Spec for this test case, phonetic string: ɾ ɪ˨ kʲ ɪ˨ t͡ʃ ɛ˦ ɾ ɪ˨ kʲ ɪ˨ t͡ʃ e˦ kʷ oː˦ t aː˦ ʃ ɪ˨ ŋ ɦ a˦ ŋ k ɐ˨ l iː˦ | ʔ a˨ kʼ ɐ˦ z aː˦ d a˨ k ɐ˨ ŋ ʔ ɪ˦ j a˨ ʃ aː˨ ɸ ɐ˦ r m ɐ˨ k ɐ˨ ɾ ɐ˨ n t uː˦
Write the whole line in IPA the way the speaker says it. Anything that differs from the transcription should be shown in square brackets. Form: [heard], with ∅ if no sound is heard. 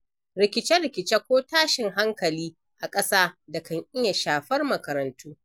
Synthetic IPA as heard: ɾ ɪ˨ kʲ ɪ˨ t͡ʃ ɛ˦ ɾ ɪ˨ kʲ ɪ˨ t͡ʃ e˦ kʷ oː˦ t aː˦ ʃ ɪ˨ ŋ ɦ a˦ ŋ k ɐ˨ l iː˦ | ʔ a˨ kʼ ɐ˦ [s] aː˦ d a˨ k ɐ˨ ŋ ʔ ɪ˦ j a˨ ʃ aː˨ ɸ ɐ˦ r m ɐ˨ k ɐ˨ ɾ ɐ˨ n t uː˦